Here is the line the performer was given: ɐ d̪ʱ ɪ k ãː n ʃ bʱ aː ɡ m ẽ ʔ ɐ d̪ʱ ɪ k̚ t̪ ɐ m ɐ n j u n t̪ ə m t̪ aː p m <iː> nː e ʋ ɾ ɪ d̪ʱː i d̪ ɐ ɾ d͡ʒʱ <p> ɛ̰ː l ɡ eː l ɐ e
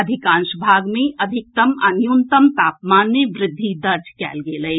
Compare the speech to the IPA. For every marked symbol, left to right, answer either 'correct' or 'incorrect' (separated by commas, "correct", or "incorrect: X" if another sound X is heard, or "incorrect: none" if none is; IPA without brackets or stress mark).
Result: incorrect: aː, incorrect: k